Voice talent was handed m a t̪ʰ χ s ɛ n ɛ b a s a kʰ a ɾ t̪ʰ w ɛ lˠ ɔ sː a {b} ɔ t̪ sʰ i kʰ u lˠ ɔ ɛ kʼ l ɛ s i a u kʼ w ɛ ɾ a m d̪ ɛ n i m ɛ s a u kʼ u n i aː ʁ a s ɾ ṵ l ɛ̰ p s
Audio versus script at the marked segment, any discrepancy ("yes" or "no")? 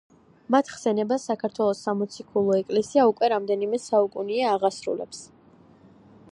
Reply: yes